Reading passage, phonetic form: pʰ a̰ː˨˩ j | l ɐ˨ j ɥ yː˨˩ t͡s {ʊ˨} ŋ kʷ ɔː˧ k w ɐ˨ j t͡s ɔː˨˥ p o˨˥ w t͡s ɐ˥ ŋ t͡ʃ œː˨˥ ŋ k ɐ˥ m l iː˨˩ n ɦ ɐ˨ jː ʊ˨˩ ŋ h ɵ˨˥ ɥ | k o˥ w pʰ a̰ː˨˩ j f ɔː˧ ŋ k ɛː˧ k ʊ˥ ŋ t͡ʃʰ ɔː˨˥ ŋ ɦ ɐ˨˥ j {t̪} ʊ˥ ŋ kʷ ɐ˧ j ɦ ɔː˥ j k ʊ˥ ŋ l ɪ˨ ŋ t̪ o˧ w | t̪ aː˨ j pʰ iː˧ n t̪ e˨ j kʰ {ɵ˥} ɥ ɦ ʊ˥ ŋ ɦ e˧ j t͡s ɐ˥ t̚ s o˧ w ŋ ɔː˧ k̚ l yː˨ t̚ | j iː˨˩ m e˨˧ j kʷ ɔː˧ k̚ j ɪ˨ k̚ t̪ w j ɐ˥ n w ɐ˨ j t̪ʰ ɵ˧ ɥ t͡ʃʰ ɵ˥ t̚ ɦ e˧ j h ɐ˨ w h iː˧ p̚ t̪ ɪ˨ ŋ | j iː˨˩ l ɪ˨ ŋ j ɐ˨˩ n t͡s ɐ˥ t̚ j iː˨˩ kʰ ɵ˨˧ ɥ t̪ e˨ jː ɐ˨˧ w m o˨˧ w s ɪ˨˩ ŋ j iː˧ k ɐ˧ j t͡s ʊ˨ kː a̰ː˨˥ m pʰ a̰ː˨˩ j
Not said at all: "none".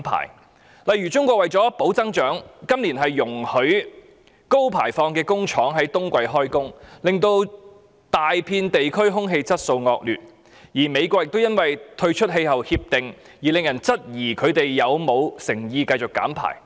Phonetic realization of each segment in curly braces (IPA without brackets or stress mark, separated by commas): ʊ˥, t̪, ɵ˥